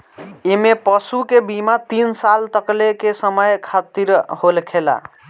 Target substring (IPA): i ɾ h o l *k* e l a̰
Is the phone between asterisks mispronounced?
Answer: yes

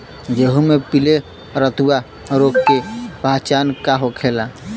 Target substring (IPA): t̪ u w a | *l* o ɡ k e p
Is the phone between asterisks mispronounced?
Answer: yes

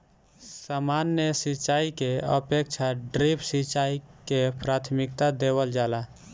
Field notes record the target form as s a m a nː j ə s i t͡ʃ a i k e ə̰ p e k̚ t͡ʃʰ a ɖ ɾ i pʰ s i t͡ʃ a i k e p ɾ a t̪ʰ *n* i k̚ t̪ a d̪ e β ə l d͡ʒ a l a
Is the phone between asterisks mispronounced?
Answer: yes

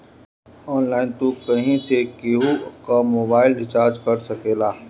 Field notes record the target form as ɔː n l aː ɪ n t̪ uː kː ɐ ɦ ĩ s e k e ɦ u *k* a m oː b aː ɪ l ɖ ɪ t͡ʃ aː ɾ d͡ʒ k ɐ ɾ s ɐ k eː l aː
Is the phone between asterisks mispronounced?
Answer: no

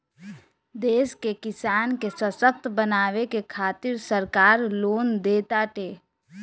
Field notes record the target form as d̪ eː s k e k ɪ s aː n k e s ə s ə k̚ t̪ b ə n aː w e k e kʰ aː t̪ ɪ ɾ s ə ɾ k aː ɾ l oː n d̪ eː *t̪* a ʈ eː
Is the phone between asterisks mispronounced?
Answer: no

